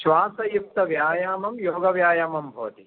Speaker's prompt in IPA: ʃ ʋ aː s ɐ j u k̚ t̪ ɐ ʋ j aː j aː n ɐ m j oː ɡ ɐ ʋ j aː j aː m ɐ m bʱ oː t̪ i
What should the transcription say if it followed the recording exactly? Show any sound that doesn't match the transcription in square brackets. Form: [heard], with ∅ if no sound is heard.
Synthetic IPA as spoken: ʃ ʋ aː s ɐ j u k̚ t̪ ɐ ʋ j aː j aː [m] ɐ m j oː ɡ ɐ ʋ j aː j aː m ɐ m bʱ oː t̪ i